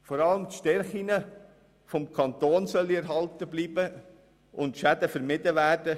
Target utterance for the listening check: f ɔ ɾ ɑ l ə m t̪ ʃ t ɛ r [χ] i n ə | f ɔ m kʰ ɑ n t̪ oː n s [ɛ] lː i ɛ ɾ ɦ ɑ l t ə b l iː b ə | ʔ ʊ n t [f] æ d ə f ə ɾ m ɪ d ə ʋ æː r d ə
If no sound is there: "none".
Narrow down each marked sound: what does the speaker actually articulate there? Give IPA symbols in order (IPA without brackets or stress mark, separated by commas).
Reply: χ, œ, ʃ